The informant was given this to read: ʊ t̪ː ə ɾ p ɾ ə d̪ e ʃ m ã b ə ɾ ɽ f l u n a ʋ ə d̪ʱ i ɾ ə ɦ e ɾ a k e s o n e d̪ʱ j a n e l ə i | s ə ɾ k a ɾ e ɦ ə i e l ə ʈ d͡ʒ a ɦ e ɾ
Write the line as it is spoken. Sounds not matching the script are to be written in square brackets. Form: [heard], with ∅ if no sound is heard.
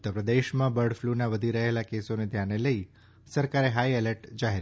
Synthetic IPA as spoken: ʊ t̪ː ə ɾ p ɾ ə d̪ e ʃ m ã b ə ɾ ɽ f l u n a ʋ ə d̪ʱ i ɾ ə ɦ e [l] a k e s o n e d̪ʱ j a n e l ə i | s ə ɾ k a ɾ e ɦ [a] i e l ə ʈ d͡ʒ a ɦ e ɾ